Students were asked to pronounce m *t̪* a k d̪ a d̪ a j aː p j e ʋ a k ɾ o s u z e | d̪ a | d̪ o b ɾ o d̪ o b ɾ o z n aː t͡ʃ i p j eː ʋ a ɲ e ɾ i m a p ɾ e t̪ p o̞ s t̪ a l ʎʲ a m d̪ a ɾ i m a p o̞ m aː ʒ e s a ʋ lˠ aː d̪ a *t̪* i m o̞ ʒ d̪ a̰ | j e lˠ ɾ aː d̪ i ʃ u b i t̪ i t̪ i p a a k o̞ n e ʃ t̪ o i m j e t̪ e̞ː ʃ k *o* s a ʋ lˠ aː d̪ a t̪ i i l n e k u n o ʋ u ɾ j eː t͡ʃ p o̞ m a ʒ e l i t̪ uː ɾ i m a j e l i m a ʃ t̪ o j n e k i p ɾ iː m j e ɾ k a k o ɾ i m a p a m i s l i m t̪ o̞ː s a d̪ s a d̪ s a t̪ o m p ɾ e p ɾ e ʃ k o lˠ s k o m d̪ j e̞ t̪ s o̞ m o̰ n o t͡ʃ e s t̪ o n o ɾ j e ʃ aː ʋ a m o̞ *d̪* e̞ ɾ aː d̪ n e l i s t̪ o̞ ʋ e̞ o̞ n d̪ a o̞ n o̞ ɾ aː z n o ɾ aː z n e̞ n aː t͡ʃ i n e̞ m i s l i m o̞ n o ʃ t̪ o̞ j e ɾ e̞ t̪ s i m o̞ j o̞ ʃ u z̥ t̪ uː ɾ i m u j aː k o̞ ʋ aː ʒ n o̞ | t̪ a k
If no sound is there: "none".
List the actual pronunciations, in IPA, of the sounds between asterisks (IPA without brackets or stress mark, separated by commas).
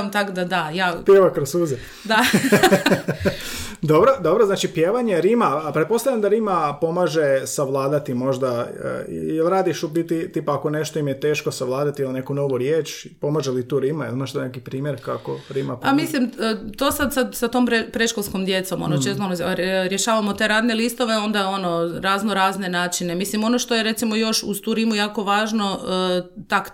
t̪, t̪, o, t̪